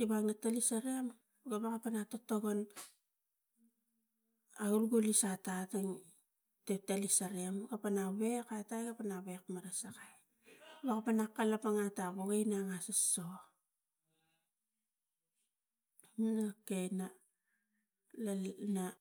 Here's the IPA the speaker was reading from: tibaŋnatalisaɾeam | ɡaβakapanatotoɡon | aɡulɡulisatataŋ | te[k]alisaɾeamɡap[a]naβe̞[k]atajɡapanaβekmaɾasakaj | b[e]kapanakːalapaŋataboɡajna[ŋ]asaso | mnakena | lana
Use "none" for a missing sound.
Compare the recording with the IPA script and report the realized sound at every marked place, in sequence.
t, a, k, a, ŋ

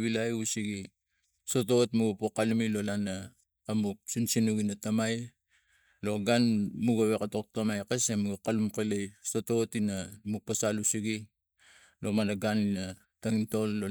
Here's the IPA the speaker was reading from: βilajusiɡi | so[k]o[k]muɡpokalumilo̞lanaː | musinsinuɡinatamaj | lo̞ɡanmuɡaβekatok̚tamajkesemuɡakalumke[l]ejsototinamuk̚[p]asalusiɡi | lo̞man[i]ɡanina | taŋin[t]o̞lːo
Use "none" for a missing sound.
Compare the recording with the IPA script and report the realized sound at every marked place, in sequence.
t, t, l, p, a, t

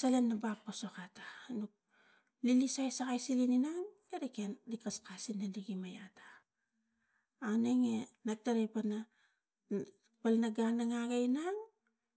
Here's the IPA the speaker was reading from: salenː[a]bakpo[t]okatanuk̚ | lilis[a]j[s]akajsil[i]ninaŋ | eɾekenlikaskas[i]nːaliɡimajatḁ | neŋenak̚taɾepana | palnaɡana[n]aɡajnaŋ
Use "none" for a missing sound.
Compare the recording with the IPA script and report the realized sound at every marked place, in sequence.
a, s, a, s, i, i, ŋ

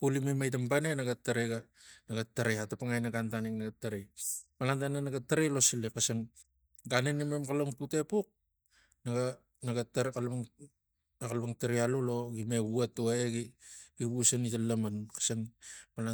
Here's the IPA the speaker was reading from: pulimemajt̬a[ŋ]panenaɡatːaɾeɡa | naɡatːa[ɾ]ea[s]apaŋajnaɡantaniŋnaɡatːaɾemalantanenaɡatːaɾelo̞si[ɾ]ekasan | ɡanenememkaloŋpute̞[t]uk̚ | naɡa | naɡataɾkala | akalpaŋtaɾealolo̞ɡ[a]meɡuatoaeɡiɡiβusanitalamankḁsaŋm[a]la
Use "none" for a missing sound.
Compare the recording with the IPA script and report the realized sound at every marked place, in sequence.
m, ɾ, t, l, p, i, a

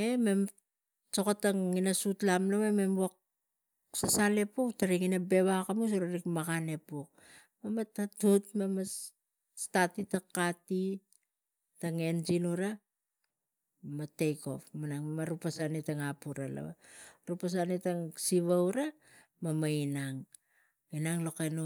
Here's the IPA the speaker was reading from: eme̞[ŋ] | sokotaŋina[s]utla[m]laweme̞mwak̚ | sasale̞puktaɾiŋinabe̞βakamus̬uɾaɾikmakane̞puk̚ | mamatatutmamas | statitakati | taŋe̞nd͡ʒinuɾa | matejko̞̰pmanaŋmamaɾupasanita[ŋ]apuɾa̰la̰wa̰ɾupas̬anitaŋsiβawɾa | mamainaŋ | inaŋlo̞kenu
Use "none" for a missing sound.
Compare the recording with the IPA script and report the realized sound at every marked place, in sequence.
m, s, m, ŋ

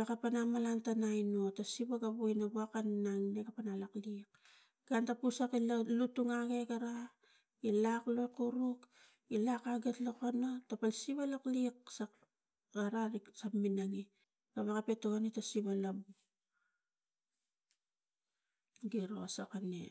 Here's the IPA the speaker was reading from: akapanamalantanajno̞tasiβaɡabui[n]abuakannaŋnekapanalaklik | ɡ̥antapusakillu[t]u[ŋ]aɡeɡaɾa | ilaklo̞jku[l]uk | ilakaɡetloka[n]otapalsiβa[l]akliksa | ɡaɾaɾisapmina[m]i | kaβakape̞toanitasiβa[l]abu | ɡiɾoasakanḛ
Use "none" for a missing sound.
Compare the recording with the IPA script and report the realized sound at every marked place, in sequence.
n, t, ŋ, ɾ, n, l, ŋ, l

